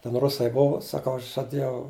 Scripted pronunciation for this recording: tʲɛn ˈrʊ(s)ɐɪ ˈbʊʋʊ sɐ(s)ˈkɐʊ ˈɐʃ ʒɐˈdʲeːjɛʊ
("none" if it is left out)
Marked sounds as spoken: s, none

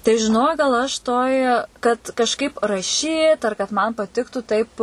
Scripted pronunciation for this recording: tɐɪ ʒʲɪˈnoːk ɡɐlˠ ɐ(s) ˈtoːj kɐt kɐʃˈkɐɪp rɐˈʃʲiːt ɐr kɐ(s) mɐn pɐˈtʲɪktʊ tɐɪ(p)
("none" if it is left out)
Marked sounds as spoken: ʃ, t, p

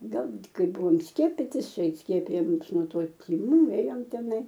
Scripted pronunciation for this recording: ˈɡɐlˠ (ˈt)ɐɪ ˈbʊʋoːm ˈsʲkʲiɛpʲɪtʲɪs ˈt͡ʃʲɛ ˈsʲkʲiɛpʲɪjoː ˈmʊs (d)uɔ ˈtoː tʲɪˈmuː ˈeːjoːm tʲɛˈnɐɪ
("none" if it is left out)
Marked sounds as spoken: k, n

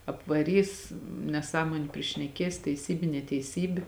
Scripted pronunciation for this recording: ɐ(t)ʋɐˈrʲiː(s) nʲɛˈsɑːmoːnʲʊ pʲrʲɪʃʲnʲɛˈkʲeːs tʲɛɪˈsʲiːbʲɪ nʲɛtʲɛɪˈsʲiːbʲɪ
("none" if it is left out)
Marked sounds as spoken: p, s

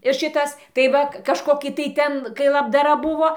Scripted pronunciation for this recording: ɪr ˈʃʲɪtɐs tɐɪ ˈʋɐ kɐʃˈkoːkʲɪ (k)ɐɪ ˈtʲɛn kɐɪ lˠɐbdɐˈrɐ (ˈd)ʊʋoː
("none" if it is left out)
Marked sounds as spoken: t, b

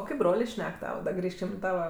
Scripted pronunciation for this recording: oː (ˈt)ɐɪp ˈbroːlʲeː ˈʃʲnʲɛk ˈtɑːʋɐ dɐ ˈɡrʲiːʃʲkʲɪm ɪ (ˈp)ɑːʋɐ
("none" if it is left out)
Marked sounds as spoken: k, t

